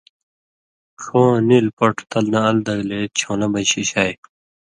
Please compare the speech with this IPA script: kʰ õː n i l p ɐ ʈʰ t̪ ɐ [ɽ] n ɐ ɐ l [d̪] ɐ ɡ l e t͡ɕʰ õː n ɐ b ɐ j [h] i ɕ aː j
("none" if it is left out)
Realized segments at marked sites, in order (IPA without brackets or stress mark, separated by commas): l, d̪, ɕ